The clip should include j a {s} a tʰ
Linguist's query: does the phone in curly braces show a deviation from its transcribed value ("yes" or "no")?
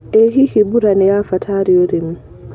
yes